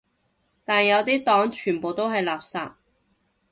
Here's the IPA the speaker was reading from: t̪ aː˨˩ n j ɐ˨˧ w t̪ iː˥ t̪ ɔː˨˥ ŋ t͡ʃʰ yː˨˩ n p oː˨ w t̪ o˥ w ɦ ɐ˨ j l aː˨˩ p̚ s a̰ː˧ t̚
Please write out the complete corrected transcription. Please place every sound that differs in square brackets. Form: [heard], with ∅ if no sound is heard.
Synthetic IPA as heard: t̪ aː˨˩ n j ɐ˨˧ w t̪ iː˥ t̪ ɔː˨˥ ŋ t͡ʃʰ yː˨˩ n p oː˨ w t̪ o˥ w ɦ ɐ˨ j l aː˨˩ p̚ s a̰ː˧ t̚